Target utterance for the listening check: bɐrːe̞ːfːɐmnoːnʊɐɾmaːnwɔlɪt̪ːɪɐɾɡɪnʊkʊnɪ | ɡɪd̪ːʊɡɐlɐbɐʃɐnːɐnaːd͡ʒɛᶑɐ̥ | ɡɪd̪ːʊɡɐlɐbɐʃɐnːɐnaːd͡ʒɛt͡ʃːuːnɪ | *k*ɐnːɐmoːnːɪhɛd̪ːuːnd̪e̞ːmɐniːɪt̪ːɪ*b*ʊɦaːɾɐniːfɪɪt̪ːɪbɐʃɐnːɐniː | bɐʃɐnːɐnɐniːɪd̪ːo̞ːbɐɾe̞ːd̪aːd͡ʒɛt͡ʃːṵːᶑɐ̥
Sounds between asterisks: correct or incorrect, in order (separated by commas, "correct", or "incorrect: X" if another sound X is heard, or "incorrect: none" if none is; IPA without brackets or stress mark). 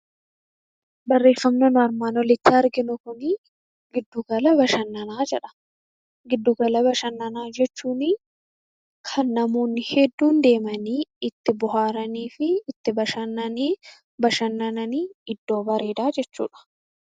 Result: incorrect: kʰ, correct